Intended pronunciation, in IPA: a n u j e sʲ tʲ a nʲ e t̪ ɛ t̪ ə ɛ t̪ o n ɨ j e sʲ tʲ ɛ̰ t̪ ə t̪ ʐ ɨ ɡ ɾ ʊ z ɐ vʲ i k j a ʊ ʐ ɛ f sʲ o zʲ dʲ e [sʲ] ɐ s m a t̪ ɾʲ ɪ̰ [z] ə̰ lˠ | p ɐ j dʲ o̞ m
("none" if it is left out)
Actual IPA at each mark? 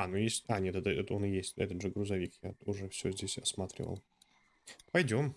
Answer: sʲ, v

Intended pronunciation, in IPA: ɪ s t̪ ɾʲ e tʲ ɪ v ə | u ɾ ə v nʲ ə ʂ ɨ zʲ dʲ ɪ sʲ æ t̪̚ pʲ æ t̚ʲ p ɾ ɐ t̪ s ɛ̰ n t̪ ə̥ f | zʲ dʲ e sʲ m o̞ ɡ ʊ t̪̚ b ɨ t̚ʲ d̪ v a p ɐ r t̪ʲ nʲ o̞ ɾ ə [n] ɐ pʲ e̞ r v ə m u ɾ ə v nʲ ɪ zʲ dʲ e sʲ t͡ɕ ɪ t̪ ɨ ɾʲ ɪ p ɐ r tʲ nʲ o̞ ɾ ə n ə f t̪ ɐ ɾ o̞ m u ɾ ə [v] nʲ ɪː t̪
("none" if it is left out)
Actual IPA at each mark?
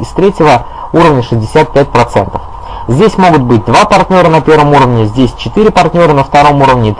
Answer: n, v

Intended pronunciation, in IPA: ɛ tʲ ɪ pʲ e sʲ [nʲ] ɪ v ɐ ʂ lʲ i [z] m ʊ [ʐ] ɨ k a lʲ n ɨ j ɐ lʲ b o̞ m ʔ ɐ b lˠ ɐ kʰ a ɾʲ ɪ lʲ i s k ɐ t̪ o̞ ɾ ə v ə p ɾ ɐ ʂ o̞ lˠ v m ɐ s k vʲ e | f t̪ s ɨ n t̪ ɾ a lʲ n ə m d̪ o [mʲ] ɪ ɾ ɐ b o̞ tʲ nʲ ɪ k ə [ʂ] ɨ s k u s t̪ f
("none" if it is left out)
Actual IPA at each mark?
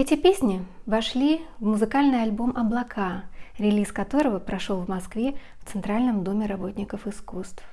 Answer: nʲ, v, z, mʲ, f

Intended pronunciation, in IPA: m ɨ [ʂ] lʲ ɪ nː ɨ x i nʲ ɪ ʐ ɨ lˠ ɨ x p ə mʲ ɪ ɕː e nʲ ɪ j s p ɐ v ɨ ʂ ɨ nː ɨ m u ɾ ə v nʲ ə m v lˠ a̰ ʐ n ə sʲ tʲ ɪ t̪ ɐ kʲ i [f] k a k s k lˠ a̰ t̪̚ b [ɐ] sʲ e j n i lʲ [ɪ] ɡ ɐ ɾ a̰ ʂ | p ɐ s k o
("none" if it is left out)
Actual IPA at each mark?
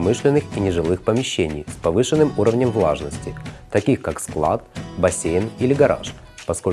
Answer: ʂ, x, ɐ, ɪ

